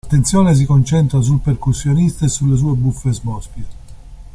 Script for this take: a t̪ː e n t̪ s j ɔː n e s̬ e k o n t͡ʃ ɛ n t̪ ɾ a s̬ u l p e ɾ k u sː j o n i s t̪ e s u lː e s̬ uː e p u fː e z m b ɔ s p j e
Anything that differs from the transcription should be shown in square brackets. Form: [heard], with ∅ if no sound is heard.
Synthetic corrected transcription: a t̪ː e n t̪ s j ɔː n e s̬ [i] k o n t͡ʃ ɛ n t̪ ɾ a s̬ u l p e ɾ k u sː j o n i s t̪ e s u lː e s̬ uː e [b] u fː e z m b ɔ s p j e

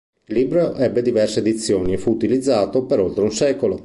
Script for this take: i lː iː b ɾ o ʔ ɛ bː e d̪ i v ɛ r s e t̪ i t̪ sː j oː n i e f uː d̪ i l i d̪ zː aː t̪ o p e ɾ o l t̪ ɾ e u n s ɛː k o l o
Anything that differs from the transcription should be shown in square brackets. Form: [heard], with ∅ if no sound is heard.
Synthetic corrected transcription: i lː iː b ɾ o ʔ ɛ bː e d̪ i v ɛ r s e [d̪] i t̪ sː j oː n i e f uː [t̪] i l i d̪ zː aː t̪ o p e ɾ o l t̪ ɾ e u n s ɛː k o l o

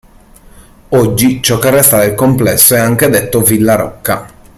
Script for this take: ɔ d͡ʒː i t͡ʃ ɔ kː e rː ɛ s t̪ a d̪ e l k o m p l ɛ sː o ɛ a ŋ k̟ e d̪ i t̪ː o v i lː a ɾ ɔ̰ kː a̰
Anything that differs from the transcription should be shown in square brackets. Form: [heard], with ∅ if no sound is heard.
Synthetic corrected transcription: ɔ d͡ʒː i t͡ʃ ɔ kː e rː ɛ s t̪ a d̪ e l k o m p l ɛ sː o ɛ a ŋ k̟ e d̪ [e] t̪ː o v i lː a ɾ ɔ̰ kː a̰

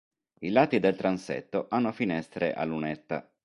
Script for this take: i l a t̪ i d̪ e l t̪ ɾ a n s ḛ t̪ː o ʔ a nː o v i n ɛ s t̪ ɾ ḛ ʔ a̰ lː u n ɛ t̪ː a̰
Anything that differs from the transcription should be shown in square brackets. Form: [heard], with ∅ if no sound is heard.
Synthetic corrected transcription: i l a t̪ i d̪ e l t̪ ɾ a n s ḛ t̪ː o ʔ a nː o [f] i n ɛ s t̪ ɾ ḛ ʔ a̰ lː u n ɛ t̪ː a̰

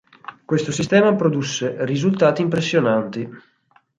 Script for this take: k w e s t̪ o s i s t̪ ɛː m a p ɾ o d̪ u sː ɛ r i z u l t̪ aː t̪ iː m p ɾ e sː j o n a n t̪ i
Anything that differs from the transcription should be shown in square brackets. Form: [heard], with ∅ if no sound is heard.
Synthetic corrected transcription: k w e s t̪ o s i s t̪ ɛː m a p ɾ o d̪ u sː [e] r i z u l t̪ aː t̪ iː m p ɾ e sː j o n a n t̪ i

